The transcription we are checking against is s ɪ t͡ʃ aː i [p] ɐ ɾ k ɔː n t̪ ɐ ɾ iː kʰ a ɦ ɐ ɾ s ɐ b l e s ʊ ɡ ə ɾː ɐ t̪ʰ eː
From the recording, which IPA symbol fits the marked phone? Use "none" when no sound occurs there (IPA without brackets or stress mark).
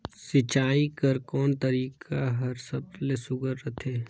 k